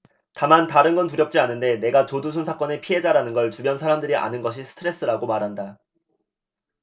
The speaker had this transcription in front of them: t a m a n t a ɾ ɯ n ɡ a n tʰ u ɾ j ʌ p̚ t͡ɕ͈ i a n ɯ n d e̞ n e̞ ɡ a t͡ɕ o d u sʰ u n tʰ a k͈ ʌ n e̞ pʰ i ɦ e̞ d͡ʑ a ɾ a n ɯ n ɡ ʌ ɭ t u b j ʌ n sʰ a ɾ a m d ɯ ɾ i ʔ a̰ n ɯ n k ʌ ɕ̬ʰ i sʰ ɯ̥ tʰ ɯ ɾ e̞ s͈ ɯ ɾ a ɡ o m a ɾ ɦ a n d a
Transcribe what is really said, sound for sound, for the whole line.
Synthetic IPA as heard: t a m a n t a ɾ ɯ n ɡ ʌ n t u ɾ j ʌ p̚ t͡ɕ͈ i a n ɯ n d e̞ n e̞ ɡ a t͡ɕ o d u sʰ u n sʰ a k͈ ʌ n e̞ pʰ i ɦ e̞ d͡ʑ a ɾ a n ɯ n ɡ ʌ ɭ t u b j ʌ n sʰ a ɾ a m d ɯ ɾ i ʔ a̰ n ɯ n ɡ ʌ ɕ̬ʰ i sʰ ɯ̥ tʰ ɯ ɾ e̞ s͈ ɯ ɾ a ɡ o m a ɾ ɦ a n d a